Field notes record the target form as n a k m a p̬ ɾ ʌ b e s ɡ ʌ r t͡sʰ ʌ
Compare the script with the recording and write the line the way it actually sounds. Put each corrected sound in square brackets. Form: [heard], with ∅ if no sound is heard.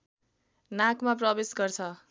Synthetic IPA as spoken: n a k m a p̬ [r] ʌ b e s ɡ ʌ r t͡sʰ ʌ

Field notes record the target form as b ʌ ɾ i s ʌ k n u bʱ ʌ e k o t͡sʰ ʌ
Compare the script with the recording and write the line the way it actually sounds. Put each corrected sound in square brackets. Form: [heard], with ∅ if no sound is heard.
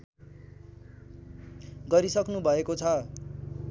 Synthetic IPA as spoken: [ɡ] ʌ ɾ i s ʌ k n u bʱ ʌ e k o t͡sʰ ʌ

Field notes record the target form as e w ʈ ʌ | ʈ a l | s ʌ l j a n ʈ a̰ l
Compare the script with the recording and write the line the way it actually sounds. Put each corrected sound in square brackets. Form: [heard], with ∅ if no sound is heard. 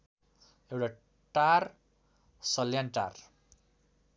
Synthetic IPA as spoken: e w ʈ [a] | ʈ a [r] | s ʌ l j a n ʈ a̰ [r]

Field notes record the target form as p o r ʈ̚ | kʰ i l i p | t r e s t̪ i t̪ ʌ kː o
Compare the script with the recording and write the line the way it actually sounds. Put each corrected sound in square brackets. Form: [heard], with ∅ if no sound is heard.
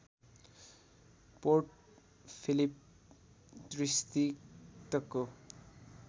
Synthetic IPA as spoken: p o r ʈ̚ | [pʰ] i l i p | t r [i] s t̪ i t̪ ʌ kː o

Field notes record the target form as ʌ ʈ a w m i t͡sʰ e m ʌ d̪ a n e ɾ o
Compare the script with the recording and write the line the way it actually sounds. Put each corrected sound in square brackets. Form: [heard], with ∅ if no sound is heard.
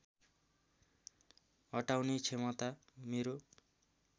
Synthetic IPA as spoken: ʌ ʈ a w [n] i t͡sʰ e m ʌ [t̪] a [m] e ɾ o

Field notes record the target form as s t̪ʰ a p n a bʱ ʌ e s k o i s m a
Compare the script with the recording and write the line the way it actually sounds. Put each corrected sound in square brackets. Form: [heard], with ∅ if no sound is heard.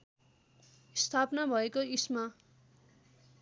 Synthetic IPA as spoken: s t̪ʰ a p n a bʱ ʌ e [∅] k o i s m a

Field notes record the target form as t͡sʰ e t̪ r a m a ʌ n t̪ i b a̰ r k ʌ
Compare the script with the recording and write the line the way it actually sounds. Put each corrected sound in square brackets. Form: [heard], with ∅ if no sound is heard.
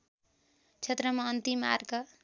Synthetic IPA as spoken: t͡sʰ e t̪ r [ʌ] m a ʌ n t̪ i [m] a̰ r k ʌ

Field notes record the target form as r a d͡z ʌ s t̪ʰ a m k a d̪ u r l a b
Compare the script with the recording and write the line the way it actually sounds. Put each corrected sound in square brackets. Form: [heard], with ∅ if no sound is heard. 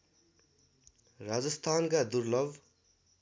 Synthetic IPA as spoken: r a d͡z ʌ s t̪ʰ a [n] k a d̪ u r l [ʌ] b

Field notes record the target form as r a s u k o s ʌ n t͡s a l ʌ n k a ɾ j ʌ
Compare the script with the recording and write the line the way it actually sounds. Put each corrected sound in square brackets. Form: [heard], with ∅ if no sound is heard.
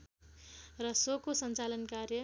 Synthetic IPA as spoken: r [ʌ] s [o] k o s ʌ n t͡s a l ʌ n k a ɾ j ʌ

